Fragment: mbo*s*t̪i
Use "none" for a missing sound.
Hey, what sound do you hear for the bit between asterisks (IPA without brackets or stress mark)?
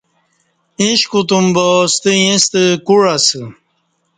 s